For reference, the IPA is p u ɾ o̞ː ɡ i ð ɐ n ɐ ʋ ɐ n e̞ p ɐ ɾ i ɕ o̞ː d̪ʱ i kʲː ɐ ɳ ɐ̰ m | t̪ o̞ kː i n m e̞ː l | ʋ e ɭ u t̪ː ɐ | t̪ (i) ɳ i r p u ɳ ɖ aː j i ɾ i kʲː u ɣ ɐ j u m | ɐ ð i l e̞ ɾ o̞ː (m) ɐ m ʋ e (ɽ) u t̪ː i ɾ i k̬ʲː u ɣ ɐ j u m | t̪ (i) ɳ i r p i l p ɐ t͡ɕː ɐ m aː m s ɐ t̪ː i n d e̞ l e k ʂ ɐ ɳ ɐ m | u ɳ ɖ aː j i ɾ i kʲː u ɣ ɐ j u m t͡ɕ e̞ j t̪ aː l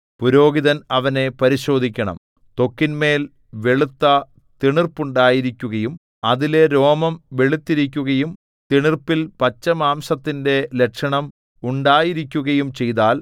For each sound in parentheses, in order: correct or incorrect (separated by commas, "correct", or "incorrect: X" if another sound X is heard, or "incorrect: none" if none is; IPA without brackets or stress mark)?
correct, correct, incorrect: ɭ, correct